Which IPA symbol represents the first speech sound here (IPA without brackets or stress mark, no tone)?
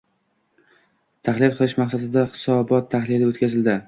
t̪ʰ